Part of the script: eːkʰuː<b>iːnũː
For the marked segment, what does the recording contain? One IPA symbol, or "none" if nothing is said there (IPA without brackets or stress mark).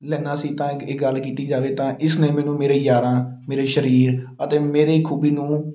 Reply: b